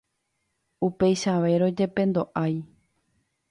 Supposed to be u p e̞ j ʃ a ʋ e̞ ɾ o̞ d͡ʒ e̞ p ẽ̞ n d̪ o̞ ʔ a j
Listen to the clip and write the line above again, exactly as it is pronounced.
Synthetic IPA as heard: u p e̞ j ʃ a ʋ e̞ ɾ o̞ d͡ʒ e̞ p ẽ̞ n d̪ o̞ ʔ a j